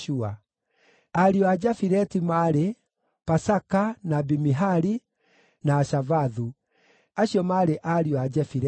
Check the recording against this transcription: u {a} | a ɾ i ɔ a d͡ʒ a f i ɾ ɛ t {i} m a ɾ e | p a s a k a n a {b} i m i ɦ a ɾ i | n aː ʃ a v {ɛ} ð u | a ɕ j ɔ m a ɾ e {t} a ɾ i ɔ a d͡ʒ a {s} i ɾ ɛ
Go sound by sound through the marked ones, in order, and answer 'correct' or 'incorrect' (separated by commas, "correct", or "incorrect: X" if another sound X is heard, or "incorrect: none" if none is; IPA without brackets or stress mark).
correct, correct, correct, incorrect: a, incorrect: ʔ, incorrect: f